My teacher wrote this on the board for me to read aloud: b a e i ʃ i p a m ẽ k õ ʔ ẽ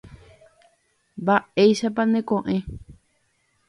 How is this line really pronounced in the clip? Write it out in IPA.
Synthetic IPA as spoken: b a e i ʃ a p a n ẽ k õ ʔ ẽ